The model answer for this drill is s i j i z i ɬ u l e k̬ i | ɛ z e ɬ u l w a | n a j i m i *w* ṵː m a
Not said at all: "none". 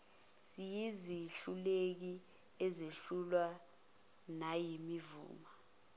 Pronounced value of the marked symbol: v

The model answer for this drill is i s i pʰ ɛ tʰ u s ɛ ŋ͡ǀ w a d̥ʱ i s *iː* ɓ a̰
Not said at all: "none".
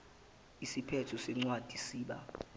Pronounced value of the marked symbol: iː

